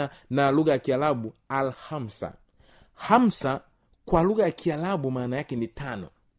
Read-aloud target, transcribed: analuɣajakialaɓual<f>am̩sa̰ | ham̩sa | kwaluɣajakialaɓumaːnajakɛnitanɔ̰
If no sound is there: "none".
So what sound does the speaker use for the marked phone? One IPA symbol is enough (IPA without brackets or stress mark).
h